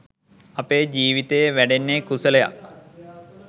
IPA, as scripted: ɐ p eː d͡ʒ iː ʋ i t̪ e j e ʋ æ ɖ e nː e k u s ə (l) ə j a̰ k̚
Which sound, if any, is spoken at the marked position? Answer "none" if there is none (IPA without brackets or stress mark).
l